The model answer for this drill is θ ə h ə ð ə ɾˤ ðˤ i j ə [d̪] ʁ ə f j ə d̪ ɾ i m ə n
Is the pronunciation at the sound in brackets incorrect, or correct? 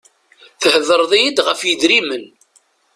correct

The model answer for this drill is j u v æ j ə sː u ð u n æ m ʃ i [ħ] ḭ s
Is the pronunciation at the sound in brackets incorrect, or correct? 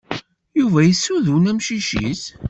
incorrect: ʃ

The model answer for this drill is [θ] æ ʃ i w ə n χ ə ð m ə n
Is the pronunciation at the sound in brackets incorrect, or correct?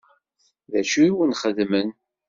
incorrect: ð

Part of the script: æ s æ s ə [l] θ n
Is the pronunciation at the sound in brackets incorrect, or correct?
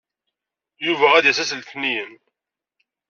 correct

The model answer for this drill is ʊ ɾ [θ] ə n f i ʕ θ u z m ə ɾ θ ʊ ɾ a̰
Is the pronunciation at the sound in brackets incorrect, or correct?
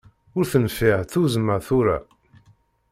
correct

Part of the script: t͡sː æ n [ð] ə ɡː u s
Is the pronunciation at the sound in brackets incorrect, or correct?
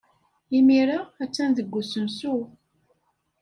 correct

